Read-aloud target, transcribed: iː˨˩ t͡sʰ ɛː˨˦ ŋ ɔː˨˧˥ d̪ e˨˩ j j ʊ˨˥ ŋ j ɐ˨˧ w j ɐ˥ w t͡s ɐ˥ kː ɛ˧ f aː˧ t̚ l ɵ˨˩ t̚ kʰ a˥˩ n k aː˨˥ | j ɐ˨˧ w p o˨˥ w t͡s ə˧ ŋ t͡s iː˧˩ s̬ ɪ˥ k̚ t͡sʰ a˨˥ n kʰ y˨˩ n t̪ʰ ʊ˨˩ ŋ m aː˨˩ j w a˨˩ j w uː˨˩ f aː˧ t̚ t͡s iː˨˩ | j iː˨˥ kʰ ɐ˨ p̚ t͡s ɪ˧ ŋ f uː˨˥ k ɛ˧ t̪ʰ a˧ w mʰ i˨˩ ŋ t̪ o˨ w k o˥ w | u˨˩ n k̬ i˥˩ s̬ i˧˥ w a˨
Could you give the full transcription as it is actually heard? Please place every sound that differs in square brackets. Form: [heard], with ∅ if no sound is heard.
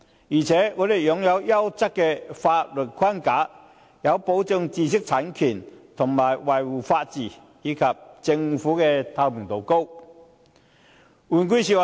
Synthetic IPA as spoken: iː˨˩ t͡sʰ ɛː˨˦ ŋ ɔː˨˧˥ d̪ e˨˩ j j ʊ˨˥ ŋ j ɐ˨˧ w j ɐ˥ w t͡s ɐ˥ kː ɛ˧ f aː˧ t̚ l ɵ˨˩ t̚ kʰ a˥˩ n k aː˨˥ | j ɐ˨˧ w p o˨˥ w t͡s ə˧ ŋ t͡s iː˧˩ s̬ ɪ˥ k̚ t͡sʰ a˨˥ n kʰ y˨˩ n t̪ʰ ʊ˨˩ ŋ m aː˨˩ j w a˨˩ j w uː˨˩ f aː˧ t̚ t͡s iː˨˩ | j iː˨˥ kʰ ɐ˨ p̚ t͡s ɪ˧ ŋ f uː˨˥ k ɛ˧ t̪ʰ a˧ w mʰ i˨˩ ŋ t̪ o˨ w k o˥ w | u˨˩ n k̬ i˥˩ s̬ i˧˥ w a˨